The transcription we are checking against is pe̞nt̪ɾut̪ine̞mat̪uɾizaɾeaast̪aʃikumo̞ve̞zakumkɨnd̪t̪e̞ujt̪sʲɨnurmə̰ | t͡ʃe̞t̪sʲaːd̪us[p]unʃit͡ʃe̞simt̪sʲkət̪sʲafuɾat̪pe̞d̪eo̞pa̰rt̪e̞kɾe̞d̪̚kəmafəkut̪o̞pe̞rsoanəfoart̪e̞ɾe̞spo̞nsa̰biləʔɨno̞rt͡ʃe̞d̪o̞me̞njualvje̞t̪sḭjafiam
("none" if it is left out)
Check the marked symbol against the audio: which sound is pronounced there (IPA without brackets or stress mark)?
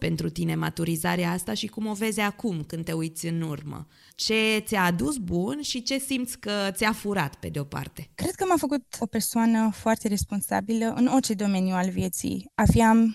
b